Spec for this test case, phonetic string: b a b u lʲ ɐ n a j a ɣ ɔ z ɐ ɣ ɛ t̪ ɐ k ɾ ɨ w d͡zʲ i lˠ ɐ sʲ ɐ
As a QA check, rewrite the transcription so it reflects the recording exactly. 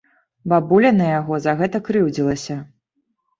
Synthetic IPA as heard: b a b u lʲ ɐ n ɐ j a ɣ ɔ z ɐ ɣ ɛ t̪ ɐ k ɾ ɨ w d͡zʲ i lˠ ɐ sʲ ɐ